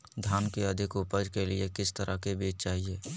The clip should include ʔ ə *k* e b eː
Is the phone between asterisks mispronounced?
no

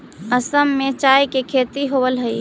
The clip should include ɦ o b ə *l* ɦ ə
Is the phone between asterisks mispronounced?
no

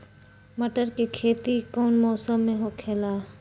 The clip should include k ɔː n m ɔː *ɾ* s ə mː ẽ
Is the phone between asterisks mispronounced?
yes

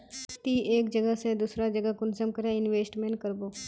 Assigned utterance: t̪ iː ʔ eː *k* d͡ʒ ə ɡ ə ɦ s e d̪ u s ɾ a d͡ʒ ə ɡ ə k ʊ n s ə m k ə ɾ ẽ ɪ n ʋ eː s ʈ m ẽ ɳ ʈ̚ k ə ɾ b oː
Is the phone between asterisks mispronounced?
no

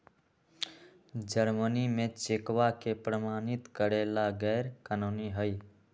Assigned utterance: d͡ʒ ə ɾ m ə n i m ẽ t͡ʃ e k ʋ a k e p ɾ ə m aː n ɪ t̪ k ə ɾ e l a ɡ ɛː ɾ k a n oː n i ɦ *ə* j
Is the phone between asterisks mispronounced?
no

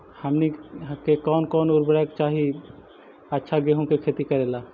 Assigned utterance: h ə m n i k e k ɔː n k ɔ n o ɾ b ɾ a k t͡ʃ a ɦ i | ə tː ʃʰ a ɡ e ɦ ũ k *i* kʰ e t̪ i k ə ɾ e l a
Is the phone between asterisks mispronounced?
yes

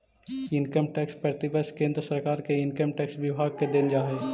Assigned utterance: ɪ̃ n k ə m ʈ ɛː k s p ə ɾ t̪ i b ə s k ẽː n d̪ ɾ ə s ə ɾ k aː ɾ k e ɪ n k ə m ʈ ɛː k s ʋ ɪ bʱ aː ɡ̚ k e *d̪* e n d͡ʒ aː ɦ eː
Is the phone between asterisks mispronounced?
no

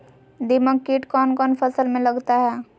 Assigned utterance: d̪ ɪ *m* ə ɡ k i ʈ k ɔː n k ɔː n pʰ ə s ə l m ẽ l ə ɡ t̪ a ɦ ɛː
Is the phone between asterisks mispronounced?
no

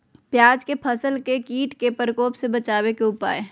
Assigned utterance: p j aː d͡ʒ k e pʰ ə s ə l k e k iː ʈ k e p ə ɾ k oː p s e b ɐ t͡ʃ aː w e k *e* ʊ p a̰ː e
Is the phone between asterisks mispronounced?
no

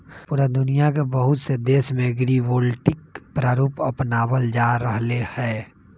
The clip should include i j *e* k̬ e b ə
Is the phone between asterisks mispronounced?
yes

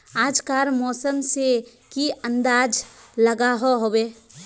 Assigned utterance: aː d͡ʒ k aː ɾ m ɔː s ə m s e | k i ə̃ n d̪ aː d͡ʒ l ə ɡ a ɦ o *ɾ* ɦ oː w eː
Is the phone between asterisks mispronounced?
yes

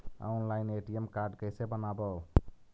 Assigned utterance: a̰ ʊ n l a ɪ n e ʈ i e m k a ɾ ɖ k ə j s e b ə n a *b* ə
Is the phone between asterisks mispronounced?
no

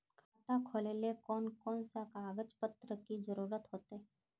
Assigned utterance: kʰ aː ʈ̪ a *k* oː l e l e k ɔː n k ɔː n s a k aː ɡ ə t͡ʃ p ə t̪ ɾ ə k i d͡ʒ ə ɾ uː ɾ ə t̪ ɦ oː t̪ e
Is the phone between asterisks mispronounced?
yes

